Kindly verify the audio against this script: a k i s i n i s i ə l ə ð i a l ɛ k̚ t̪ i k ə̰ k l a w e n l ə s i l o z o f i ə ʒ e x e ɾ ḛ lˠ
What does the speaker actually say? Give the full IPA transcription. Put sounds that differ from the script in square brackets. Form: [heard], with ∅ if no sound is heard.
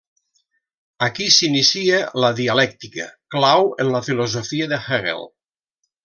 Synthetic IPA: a k i s i n i s i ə l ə ð i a l ɛ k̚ t̪ i k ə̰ k l a w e n l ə [f] i l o z o f i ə [ð] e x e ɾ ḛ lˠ